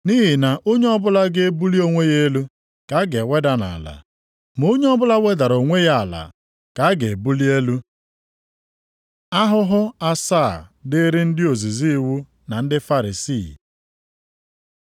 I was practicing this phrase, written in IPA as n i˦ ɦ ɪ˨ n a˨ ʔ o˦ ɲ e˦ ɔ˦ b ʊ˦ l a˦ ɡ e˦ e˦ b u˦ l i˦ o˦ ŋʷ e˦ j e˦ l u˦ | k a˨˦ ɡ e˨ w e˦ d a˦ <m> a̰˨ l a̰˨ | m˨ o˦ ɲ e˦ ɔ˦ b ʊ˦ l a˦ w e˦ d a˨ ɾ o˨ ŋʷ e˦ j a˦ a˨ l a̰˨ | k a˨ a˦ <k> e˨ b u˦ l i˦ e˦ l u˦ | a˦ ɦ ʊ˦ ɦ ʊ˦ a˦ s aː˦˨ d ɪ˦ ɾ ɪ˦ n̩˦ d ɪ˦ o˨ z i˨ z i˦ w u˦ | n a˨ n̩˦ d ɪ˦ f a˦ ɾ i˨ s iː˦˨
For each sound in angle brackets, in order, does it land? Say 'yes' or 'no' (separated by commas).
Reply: no, no